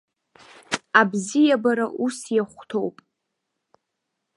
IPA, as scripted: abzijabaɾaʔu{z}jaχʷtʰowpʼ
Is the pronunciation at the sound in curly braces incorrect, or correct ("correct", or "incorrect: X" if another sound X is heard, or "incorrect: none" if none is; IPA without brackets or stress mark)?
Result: incorrect: s